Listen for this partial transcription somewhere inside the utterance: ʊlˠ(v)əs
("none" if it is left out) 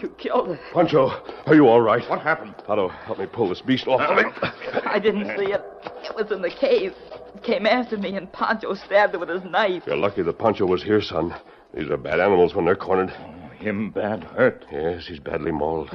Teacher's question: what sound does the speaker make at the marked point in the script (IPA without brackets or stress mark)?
ð